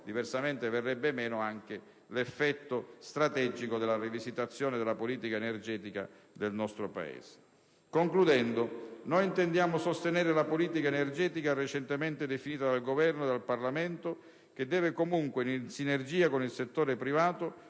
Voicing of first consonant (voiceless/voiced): voiced